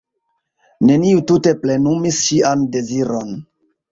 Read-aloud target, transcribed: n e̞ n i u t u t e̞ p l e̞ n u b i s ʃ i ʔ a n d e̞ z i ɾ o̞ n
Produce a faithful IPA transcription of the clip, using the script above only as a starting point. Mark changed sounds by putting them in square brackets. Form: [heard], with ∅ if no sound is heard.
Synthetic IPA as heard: n e̞ n i u t u t e̞ p l e̞ n u [m] i s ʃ i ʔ a n d e̞ z i ɾ o̞ n